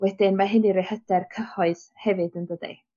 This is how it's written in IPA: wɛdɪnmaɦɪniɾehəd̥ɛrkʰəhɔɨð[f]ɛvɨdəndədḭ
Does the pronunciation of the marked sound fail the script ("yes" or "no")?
yes